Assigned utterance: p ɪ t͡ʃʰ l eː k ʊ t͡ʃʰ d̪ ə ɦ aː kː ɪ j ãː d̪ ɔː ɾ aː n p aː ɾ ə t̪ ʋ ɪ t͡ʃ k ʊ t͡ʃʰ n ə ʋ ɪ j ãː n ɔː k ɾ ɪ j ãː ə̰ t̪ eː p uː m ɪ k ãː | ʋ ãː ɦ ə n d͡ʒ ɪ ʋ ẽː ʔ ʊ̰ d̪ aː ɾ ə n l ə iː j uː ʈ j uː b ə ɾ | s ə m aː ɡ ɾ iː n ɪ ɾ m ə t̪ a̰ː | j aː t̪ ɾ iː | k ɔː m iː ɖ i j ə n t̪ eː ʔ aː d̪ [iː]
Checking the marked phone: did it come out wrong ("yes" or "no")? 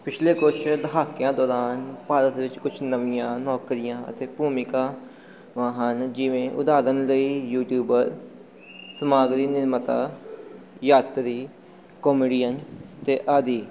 no